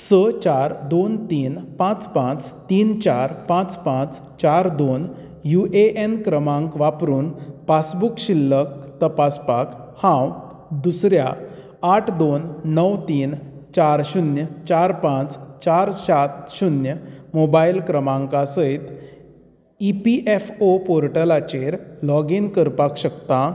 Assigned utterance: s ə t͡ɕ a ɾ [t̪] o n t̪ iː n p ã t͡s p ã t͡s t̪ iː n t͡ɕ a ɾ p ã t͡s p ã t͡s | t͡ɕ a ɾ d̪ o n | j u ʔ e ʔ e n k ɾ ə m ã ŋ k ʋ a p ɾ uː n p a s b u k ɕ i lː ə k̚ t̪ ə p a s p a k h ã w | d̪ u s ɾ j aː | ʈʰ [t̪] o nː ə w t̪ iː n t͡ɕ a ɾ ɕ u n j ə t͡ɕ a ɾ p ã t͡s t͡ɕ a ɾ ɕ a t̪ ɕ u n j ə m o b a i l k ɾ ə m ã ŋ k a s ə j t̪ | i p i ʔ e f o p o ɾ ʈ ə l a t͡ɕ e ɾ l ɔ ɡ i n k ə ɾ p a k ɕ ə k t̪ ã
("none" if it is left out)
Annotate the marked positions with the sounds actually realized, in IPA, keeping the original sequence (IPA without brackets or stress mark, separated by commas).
d̪, d̪